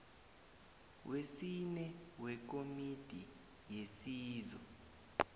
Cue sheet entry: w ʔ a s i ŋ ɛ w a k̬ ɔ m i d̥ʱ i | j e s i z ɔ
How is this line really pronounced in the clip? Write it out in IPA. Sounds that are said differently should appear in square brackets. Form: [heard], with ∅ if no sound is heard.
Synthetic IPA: w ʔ [e] s i [n] ɛ w [ɛ] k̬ [o] m i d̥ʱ i | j e s [iː] z ɔ